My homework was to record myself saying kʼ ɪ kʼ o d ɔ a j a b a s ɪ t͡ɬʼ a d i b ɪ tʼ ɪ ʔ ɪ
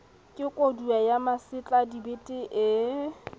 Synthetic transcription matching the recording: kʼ ɪ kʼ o d u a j a m a s ɪ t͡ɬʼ a d i b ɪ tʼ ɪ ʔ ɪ